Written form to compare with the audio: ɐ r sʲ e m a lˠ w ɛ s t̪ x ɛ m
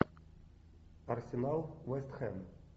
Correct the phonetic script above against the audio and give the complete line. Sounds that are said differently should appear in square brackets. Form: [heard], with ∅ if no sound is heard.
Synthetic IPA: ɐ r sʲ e [n] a lˠ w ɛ s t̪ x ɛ m

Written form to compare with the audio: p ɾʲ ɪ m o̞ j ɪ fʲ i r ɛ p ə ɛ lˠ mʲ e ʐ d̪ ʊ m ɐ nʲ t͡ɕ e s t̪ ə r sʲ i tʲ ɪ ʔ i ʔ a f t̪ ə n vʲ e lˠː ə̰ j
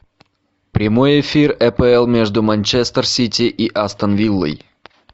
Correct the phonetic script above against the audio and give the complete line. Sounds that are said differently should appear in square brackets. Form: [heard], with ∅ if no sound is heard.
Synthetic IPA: p ɾʲ ɪ m o̞ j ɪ fʲ i r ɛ p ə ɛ lˠ mʲ e ʐ d̪ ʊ m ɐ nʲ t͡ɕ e s t̪ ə r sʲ i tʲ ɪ ʔ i ʔ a [s] t̪ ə n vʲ [i] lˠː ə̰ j

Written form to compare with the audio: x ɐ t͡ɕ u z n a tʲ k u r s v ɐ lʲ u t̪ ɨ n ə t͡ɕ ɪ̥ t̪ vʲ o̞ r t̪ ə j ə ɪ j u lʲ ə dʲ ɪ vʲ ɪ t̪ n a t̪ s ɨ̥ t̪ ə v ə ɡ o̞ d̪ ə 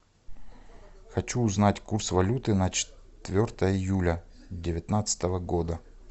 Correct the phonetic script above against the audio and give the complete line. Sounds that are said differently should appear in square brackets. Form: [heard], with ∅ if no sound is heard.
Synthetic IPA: x ɐ t͡ɕ [uː] z n a tʲ k u r s v ɐ lʲ u t̪ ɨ n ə t͡ɕ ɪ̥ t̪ vʲ o̞ r t̪ ə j ə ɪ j u lʲ ə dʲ ɪ vʲ ɪ t̪ n a t̪ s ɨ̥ t̪ ə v ə ɡ o̞ d̪ ə

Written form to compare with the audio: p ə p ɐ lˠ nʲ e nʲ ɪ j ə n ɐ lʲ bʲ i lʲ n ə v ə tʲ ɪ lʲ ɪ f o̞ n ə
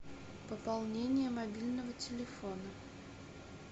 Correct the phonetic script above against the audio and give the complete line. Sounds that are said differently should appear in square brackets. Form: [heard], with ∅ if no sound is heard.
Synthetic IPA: p ə p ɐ lˠ nʲ e nʲ ɪ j ə [m] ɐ [∅] bʲ i lʲ n ə v ə tʲ ɪ lʲ ɪ f o̞ n ə

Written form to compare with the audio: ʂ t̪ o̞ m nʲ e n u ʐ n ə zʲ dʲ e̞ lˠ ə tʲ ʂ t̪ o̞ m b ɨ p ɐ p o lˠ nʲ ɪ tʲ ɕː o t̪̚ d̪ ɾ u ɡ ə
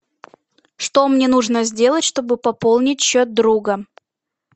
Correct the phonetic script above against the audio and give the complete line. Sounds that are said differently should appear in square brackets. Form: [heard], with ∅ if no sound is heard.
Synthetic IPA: ʂ t̪ o̞ m nʲ e n u ʐ n ə zʲ dʲ e̞ lˠ ə tʲ ʂ t̪ o̞ [∅] b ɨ p ɐ p o lˠ nʲ ɪ tʲ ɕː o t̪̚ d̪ ɾ u ɡ ə

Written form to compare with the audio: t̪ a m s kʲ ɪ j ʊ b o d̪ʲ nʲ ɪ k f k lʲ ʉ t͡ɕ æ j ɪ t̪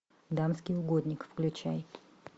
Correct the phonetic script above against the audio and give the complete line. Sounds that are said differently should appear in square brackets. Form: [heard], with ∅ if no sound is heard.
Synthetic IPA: [d̪] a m s kʲ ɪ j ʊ [ɡ] o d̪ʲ nʲ ɪ k f k lʲ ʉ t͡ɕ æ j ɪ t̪

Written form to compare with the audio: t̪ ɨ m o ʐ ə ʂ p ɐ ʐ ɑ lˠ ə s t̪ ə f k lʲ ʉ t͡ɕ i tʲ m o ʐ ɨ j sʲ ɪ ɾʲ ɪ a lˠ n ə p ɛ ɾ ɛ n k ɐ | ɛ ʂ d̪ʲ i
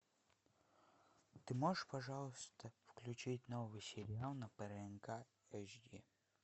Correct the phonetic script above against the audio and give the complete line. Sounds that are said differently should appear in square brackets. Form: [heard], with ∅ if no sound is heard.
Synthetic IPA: t̪ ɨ m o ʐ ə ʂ p ɐ ʐ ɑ lˠ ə s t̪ ə f k lʲ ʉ t͡ɕ i tʲ [n] o [v] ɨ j sʲ ɪ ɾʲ ɪ a lˠ n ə p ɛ ɾ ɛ n k [a] | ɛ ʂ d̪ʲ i

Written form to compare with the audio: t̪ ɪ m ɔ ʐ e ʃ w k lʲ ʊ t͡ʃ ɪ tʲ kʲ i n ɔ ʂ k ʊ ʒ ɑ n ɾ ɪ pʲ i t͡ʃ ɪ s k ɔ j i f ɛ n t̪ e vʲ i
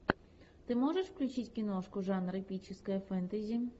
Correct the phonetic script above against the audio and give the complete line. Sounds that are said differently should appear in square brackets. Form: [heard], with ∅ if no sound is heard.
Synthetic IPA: t̪ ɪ m ɔ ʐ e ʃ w k lʲ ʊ t͡ʃ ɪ tʲ kʲ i n ɔ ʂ k ʊ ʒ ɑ n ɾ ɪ pʲ i t͡ʃ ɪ s k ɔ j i f ɛ n t̪ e [zʲ] i

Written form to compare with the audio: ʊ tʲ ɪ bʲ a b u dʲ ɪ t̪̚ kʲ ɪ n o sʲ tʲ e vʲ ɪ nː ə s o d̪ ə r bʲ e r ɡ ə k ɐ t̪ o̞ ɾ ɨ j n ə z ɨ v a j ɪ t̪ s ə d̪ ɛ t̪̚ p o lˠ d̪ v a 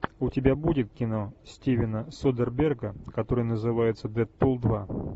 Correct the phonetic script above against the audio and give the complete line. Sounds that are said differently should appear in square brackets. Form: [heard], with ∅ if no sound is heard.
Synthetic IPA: ʊ tʲ ɪ bʲ a b u dʲ ɪ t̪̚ kʲ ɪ n o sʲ tʲ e vʲ ɪ [n] ə s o d̪ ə r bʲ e r ɡ ə k ɐ t̪ o̞ ɾ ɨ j n ə z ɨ v a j ɪ t̪ s ə d̪ ɛ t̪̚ p o lˠ d̪ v a

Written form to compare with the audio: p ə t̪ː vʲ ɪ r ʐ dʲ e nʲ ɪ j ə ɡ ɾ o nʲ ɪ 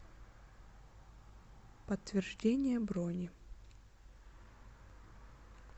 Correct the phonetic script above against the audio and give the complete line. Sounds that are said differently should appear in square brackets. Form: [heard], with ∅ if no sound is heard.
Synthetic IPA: p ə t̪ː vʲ ɪ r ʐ dʲ e nʲ ɪ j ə [b] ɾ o nʲ ɪ

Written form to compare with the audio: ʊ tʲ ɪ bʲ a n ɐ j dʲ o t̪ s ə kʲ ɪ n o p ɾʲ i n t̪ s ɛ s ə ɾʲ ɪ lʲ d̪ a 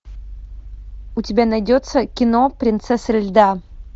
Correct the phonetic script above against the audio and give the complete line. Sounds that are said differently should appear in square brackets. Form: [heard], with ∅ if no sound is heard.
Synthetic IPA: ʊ tʲ ɪ bʲ a n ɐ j dʲ o t̪ s ə kʲ ɪ n o p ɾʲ [ɪ] n t̪ s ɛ s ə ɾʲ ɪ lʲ d̪ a

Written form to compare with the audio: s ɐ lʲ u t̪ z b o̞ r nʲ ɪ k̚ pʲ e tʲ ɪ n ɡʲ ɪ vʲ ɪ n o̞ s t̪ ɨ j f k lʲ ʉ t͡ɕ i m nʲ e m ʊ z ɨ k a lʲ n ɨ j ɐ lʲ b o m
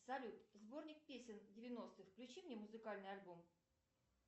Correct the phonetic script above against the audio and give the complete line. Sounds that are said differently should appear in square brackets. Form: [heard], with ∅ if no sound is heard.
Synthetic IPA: s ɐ lʲ u t̪ z b o̞ r nʲ ɪ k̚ pʲ e [sʲ] ɪ n [dʲ] ɪ vʲ ɪ n o̞ s t̪ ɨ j f k lʲ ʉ t͡ɕ i m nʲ e m ʊ z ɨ k a lʲ n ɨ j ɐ lʲ b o m

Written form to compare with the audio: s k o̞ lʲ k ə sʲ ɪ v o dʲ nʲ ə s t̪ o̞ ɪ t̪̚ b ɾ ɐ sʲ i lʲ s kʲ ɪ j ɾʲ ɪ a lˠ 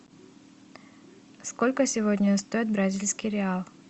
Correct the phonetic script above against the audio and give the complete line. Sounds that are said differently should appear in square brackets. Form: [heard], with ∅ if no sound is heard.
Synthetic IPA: s k o̞ lʲ k ə sʲ ɪ v o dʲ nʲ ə s t̪ o̞ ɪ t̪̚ b ɾ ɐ [zʲ] i lʲ s kʲ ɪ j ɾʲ ɪ a lˠ

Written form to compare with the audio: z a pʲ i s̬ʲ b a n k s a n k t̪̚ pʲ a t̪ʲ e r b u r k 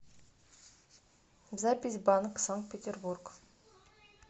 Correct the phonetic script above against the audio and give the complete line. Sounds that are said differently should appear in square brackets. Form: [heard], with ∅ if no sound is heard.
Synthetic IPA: z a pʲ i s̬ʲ b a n k s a [ŋ] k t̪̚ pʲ [e] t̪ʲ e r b u r k

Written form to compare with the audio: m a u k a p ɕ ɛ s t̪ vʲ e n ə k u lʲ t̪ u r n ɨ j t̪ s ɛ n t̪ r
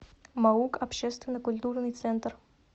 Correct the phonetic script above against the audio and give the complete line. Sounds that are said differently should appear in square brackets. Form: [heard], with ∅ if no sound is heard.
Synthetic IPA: m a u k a p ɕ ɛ s t̪ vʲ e n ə k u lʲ t̪ u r n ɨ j t̪ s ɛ n t̪ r

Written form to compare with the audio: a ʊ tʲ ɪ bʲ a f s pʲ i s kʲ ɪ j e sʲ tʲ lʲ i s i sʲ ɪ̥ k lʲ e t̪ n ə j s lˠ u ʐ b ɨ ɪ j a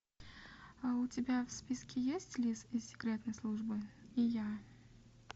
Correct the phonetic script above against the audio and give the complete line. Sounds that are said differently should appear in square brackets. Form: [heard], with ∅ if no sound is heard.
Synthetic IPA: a ʊ tʲ ɪ bʲ a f s pʲ i s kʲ ɪ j e sʲ tʲ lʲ i s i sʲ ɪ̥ k [ɾʲ] e t̪ n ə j s lˠ u ʐ b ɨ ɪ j a

